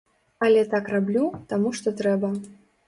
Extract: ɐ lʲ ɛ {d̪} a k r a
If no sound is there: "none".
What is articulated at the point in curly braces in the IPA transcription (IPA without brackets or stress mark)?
t̪